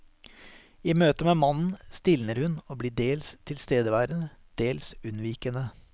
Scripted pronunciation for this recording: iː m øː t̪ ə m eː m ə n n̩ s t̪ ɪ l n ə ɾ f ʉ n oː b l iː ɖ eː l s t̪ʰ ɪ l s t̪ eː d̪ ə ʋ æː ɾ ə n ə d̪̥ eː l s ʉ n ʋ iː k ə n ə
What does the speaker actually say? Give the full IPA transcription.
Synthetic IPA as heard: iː m øː t̪ ə m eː m ɑ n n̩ s t̪ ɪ l n ə ɾ h ʉ n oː b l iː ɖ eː l s t̪ʰ ɪ l s t̪ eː d̪ ə ʋ æː ɾ ə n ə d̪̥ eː l s ʉ n ʋ iː k ə n ə